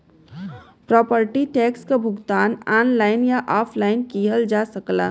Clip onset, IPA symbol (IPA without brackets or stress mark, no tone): p